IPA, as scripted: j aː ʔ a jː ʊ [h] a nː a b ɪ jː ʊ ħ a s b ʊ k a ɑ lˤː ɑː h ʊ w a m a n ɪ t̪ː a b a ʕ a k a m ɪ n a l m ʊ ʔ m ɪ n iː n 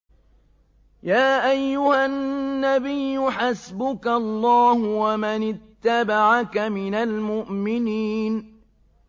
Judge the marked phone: correct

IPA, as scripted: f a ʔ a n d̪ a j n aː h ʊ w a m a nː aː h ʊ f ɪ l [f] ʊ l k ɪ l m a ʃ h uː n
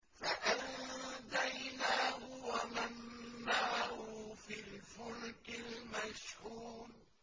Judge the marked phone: correct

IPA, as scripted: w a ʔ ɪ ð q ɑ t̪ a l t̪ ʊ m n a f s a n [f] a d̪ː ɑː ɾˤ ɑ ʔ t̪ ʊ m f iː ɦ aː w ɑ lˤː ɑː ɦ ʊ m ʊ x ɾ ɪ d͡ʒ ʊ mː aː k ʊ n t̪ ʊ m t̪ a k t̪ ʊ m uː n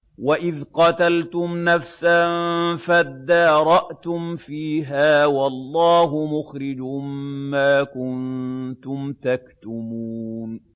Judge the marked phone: correct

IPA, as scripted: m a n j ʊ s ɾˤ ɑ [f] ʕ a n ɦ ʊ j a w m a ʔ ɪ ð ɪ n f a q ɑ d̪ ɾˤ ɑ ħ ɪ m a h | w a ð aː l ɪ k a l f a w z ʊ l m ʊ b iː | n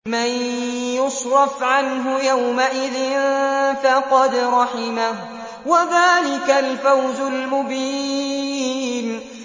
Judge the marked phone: correct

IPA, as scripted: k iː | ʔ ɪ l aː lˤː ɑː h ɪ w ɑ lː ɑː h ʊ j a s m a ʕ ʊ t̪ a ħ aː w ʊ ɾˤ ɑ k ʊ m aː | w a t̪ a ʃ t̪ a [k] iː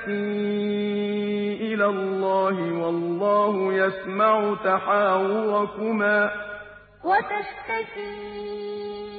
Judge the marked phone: correct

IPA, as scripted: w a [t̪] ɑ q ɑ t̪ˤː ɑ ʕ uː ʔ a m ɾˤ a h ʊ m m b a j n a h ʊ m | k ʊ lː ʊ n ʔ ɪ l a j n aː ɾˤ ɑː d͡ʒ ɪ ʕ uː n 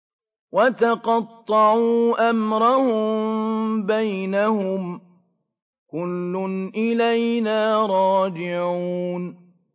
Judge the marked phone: correct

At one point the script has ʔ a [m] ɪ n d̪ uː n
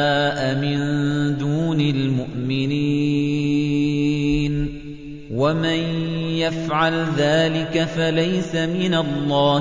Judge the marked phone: correct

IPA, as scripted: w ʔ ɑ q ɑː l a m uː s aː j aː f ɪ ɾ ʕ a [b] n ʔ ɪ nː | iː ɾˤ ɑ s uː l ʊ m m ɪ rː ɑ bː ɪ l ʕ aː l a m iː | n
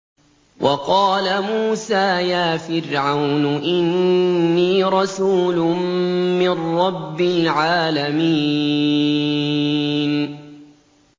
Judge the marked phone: incorrect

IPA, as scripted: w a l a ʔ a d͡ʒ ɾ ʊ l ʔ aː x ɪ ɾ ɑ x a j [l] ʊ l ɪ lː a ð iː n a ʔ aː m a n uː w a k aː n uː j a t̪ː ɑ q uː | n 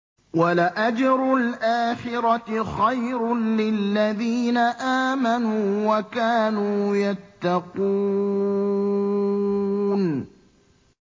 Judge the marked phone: incorrect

